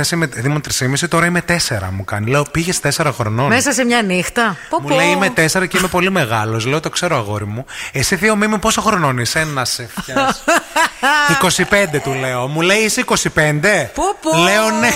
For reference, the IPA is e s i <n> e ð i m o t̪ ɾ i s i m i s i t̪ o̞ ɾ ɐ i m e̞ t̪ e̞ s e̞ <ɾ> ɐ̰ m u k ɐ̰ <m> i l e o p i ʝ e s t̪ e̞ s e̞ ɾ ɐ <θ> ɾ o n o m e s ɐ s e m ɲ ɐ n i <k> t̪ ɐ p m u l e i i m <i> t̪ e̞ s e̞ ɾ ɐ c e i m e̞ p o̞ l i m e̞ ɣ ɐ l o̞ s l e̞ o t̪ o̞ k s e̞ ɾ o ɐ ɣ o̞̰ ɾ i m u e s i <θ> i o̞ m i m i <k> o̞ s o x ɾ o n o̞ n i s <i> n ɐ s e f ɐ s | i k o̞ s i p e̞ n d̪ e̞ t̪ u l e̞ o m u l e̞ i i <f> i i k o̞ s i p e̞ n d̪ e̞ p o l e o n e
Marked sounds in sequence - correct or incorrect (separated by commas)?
incorrect, correct, incorrect, incorrect, incorrect, incorrect, correct, incorrect, incorrect, incorrect